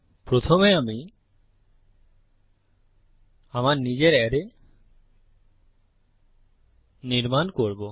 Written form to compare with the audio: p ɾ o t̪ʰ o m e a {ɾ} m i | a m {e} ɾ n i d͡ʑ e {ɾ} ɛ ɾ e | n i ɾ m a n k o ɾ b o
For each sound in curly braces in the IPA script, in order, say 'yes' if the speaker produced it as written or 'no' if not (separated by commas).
no, no, yes